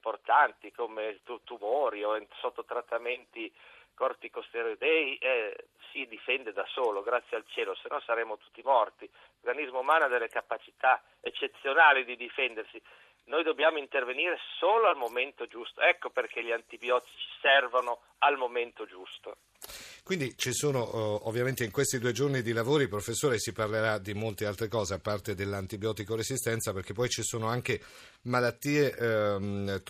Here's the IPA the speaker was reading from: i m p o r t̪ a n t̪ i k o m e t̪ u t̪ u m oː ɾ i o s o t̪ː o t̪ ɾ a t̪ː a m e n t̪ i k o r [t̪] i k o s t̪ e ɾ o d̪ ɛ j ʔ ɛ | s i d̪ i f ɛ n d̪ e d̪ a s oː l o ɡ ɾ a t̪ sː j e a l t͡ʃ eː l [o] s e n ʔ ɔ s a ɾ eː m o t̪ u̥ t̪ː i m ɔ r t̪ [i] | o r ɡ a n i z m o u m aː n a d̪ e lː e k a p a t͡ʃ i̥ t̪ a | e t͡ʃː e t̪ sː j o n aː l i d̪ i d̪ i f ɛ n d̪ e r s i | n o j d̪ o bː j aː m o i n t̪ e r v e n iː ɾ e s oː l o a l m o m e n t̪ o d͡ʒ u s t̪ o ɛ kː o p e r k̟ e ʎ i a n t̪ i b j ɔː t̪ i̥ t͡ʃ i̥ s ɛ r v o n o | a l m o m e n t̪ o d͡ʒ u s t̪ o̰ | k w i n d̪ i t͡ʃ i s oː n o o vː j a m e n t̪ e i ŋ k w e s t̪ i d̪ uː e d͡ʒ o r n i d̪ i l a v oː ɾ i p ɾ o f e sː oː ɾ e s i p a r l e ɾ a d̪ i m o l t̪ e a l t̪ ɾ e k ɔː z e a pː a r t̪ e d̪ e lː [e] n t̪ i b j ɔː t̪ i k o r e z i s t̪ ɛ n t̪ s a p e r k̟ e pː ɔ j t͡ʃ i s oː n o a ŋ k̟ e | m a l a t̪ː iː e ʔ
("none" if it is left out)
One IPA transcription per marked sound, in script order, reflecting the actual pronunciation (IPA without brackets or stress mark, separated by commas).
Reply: t̪, o, i, a